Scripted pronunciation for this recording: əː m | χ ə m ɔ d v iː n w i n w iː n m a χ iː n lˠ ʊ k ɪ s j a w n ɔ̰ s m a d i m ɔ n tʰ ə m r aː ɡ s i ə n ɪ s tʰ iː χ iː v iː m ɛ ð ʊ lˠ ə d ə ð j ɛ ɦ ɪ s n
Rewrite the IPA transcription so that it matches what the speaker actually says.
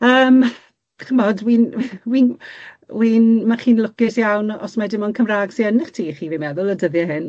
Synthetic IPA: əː m | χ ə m ɔ d w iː n w i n w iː n m a χ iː n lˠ ʊ k ɪ s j a w n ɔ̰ s m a d ɪ m ɔ n kʰ ə m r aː ɡ s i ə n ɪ χ tʰ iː χ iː v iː m ɛ ð ʊ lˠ ə d ə ð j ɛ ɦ ɪ n